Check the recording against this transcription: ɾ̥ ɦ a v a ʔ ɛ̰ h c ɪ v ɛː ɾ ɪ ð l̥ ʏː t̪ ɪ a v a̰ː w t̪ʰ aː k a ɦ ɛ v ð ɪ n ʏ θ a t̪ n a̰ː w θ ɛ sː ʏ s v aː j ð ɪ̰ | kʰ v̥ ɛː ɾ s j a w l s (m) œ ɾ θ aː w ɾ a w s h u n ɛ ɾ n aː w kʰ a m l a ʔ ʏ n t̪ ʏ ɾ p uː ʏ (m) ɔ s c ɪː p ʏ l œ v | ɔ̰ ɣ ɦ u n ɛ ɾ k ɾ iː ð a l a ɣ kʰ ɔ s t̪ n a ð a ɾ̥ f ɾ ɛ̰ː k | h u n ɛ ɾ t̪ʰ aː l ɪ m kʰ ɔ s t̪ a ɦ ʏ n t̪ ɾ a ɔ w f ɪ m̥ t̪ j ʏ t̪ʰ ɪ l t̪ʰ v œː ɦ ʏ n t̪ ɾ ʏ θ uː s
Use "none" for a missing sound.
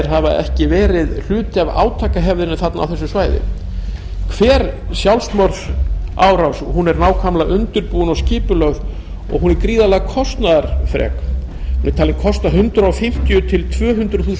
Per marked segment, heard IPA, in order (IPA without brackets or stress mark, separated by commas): m, n